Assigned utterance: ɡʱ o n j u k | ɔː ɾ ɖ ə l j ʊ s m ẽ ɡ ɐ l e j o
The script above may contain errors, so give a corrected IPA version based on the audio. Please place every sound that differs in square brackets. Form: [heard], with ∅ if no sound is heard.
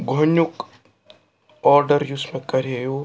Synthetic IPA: ɡʱ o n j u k | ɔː ɾ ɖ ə [ɾ] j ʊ s m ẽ [k] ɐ [ɾ] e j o